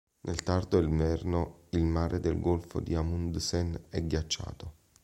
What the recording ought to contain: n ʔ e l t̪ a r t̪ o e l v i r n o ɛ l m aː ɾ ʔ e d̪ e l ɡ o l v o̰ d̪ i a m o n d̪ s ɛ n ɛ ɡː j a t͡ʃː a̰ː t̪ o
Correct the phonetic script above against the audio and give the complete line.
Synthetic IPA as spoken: n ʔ e l t̪ a r d̪ o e l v ɛ r n o i l m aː ɾ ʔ e d̪ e l ɡ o l f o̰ d̪ i a m u n d̪ s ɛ n ɛ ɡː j a t͡ʃː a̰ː t̪ o